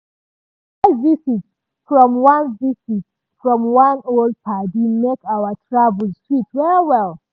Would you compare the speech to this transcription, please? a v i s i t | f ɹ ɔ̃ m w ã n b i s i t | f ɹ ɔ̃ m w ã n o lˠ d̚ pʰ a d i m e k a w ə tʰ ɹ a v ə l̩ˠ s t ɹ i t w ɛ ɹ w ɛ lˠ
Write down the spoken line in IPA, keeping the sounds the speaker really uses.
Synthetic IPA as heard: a v i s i t | f ɹ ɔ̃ m w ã n v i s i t | f ɹ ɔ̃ m w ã n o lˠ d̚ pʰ a d i m e k a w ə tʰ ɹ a v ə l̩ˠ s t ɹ i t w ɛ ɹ w ɛ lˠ